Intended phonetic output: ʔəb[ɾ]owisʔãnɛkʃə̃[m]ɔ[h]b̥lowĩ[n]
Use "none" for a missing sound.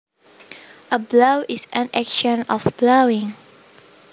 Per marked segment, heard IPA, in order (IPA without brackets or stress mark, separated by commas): l, n, f, ŋ